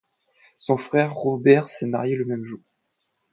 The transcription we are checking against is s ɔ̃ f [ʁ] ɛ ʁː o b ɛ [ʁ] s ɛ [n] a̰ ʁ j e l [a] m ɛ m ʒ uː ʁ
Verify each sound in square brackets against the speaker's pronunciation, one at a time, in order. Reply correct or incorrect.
incorrect, correct, incorrect, incorrect

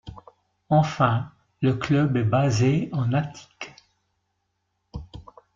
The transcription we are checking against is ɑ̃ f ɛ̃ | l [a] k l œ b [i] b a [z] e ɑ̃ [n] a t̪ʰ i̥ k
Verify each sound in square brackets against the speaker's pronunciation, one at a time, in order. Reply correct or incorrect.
incorrect, incorrect, correct, correct

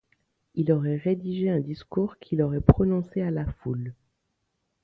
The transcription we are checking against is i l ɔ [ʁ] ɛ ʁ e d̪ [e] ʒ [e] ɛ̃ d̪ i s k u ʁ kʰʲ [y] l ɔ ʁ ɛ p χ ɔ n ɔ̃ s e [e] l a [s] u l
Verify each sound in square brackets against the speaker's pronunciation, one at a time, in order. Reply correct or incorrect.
correct, incorrect, correct, incorrect, incorrect, incorrect

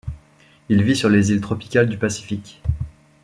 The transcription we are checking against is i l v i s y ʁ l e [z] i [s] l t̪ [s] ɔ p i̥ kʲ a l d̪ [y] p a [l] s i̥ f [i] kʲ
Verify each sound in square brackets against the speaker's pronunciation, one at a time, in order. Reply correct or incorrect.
correct, incorrect, incorrect, correct, incorrect, correct

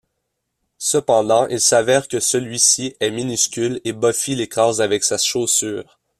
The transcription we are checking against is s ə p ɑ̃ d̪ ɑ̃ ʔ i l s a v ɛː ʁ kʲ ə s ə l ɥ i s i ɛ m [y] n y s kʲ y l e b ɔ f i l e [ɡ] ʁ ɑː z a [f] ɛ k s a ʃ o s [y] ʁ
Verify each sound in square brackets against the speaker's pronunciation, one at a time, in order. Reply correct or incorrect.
incorrect, incorrect, incorrect, incorrect

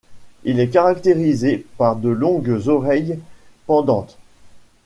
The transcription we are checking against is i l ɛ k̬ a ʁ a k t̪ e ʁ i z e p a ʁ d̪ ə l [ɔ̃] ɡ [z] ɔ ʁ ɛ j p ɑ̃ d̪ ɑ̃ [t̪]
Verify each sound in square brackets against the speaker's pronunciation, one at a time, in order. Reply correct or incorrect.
correct, correct, correct

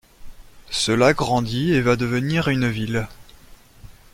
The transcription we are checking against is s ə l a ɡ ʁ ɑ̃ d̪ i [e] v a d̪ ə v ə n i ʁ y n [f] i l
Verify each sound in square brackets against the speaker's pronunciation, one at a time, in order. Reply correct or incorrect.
correct, incorrect

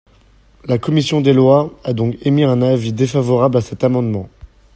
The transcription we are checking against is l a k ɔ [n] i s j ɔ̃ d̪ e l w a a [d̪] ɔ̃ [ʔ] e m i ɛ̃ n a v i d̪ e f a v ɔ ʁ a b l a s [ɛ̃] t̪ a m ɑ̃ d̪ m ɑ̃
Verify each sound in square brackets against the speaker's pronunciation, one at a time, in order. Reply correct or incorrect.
incorrect, correct, incorrect, incorrect

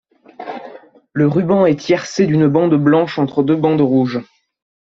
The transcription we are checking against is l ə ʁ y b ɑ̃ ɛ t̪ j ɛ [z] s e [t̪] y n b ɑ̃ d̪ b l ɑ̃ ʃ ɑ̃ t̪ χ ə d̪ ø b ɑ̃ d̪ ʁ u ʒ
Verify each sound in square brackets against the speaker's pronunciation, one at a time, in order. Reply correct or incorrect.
incorrect, incorrect

